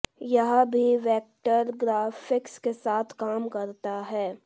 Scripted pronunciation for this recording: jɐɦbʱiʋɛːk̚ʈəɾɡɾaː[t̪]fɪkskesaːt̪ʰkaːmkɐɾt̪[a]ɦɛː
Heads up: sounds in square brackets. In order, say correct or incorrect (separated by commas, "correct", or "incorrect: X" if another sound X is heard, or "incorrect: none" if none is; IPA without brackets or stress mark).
incorrect: none, correct